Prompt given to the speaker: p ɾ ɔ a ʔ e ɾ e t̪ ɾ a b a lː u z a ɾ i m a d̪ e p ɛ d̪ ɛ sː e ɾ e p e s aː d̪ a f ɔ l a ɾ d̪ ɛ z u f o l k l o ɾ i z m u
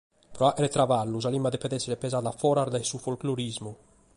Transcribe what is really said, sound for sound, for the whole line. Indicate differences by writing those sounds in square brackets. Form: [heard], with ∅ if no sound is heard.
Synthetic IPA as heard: p ɾ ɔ a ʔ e ɾ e t̪ ɾ a [v] a lː u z a [l] i m a d̪ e p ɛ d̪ ɛ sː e ɾ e p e [z] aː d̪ a f ɔ [ɾ] a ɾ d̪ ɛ [s] u f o l k l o ɾ i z m u